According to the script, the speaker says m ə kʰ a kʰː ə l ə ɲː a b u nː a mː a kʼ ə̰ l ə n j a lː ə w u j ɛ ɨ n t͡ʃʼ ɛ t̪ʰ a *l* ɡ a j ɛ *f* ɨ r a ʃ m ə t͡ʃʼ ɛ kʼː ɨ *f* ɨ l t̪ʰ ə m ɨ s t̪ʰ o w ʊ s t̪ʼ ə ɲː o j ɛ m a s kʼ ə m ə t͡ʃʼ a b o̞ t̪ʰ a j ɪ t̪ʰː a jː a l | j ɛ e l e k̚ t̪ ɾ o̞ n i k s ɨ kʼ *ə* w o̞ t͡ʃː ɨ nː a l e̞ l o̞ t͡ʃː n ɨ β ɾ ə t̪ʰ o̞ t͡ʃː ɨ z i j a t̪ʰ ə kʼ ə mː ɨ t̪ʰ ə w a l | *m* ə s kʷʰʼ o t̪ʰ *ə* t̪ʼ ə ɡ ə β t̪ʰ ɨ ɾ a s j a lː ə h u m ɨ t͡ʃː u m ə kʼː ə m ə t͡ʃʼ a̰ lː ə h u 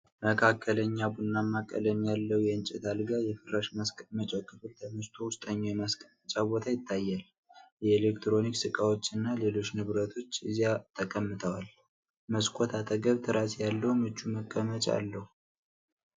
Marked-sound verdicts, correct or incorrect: correct, correct, correct, incorrect: a, correct, incorrect: a

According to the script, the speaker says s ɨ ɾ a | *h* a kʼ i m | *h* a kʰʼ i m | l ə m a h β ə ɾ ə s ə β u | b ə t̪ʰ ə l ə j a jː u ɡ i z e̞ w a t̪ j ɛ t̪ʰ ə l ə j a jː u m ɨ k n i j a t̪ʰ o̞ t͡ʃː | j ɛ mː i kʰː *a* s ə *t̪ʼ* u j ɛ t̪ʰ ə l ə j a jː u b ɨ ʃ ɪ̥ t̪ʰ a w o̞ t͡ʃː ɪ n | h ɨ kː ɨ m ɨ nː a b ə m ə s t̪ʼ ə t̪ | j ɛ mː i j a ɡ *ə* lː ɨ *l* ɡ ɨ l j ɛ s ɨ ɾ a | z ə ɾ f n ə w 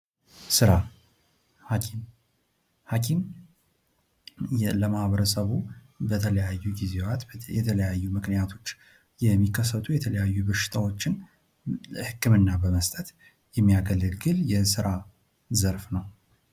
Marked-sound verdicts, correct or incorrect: correct, correct, incorrect: ə, correct, correct, correct

